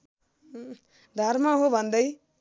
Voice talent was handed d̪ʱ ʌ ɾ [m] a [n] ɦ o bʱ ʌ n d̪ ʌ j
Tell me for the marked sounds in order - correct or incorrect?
correct, incorrect

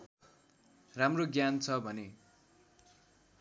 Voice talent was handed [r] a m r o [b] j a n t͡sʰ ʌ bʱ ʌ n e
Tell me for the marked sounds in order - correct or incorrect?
correct, incorrect

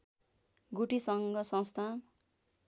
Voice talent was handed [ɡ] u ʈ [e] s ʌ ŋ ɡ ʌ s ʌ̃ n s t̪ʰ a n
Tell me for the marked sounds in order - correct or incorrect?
correct, incorrect

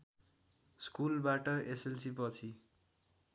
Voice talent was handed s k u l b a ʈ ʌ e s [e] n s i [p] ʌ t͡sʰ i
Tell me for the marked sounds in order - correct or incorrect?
correct, correct

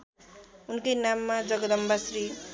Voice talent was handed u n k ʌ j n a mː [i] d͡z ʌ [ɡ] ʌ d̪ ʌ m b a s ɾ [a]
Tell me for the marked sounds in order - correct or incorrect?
incorrect, correct, incorrect

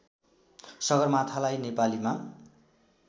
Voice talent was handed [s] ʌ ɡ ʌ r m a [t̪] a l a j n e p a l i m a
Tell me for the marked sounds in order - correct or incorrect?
correct, incorrect

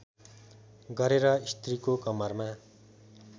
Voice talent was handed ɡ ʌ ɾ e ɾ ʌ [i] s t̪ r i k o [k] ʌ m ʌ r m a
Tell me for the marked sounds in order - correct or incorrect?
correct, correct

